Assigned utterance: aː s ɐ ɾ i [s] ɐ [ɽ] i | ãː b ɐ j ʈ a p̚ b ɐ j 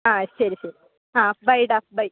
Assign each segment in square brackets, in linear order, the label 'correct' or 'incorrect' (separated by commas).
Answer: correct, incorrect